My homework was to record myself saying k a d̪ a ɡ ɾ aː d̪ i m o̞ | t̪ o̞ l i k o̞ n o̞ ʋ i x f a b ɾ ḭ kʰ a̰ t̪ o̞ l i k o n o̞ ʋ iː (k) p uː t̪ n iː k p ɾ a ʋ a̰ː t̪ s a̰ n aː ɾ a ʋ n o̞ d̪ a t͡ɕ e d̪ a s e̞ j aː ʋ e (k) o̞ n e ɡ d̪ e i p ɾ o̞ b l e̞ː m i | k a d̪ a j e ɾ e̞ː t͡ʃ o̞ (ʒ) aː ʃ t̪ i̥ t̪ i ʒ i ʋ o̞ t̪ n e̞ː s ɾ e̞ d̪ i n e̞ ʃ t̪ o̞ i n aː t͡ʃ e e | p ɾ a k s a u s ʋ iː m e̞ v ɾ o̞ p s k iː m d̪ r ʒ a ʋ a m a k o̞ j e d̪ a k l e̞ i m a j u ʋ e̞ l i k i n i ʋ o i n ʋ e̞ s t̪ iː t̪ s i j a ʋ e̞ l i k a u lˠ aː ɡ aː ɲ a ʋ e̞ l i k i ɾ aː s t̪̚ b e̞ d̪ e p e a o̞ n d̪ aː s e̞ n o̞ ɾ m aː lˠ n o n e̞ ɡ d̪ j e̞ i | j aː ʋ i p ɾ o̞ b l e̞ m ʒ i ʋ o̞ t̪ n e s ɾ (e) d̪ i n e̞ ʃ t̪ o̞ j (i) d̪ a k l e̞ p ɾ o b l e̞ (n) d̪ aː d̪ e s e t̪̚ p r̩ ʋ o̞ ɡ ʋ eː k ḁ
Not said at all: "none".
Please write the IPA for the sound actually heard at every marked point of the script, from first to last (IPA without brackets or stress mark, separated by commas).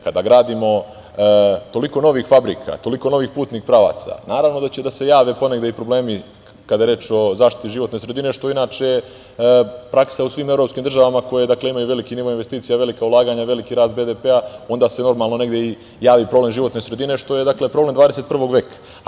x, p, z, e, e, m